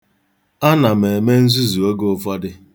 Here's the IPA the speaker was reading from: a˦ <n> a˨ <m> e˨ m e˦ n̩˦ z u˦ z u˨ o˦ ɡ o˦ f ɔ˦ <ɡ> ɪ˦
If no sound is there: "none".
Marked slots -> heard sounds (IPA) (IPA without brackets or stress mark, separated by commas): n, m, d